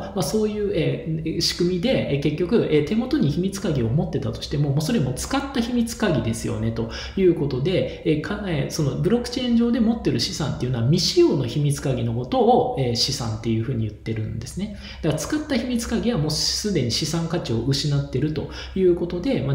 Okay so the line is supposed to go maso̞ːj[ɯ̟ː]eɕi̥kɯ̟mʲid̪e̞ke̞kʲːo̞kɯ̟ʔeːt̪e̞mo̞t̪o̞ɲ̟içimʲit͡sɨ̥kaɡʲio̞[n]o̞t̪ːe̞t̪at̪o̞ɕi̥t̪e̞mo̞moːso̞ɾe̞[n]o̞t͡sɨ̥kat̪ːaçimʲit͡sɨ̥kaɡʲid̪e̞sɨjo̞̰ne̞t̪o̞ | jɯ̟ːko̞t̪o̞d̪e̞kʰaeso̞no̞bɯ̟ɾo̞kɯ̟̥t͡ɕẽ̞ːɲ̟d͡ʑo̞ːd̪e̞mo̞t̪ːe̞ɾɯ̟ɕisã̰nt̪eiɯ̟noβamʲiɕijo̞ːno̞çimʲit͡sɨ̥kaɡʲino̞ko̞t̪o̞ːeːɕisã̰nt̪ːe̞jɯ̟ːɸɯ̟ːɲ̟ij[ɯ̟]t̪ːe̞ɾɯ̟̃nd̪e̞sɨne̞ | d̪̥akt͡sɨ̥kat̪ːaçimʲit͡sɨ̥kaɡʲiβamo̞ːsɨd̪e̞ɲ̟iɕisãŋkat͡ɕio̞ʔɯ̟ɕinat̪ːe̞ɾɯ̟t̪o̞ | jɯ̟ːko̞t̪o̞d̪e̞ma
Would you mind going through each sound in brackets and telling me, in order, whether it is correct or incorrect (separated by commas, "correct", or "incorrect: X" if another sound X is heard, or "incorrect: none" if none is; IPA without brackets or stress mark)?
correct, incorrect: m, incorrect: m, correct